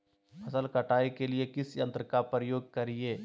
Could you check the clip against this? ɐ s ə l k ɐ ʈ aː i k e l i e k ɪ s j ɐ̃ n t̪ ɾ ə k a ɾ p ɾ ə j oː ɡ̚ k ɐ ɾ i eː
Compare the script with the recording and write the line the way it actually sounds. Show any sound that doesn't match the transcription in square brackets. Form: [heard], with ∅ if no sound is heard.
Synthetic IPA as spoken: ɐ s ə l k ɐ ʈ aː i k e l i e k ɪ s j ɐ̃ n t̪ ɾ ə k a [∅] p ɾ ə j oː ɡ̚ k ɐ ɾ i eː